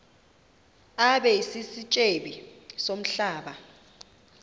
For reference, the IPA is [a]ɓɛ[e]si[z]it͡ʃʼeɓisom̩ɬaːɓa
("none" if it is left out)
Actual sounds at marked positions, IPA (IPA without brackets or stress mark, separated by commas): a, i, s